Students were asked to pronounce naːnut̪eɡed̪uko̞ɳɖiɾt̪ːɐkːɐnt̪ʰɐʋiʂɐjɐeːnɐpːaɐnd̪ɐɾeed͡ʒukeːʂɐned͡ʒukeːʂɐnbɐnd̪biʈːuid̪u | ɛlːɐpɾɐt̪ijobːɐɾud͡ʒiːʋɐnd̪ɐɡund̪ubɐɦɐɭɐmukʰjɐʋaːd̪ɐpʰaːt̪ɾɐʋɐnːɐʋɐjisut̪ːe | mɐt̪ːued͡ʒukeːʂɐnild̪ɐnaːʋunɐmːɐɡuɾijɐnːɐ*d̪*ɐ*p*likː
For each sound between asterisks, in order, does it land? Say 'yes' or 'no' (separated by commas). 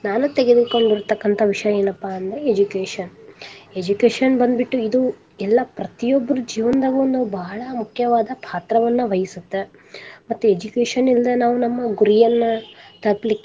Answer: no, yes